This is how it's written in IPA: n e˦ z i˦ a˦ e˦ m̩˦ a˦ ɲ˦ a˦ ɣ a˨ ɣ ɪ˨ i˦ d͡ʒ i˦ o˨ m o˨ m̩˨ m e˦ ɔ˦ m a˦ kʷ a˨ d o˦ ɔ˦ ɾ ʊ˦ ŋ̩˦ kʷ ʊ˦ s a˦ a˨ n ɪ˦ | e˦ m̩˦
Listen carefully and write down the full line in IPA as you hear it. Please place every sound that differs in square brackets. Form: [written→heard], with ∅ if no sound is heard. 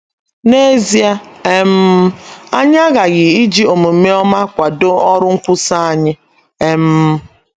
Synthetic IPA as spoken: n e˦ z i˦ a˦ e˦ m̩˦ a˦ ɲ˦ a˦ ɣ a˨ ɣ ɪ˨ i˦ d͡ʒ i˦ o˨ m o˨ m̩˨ m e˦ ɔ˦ m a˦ kʷ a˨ d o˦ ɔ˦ ɾ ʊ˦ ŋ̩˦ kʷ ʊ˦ s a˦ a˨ [n→ɲ] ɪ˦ | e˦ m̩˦